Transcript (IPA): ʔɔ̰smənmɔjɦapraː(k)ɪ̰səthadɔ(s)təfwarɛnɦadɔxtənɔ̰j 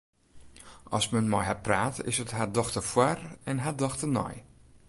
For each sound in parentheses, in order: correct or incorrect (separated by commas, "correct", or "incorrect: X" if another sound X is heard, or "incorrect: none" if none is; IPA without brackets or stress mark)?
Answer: incorrect: t, incorrect: x